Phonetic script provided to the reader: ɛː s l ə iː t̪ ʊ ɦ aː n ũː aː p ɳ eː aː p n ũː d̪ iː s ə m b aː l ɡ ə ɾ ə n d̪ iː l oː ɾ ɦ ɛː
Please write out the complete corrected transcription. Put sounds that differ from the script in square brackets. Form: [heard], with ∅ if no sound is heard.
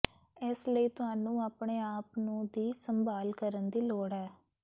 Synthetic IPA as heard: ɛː s l ə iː t̪ ʊ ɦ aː n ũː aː p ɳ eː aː p n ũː d̪ iː s ə m b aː l [k] ə ɾ ə n d̪ iː l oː [ɽ] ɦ ɛː